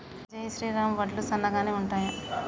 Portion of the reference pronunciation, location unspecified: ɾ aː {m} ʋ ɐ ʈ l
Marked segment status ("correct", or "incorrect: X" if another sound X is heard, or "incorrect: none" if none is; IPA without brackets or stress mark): correct